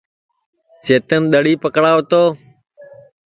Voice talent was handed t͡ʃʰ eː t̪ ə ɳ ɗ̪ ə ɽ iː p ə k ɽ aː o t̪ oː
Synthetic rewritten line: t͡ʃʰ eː t̪ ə n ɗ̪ ə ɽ iː p ə k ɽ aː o t̪ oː